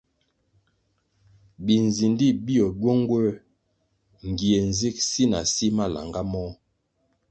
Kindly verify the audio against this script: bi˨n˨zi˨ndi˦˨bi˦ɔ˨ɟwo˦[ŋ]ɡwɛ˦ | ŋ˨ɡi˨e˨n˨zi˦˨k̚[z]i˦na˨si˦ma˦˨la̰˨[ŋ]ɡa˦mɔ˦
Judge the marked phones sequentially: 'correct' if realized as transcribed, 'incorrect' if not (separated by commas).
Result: correct, incorrect, correct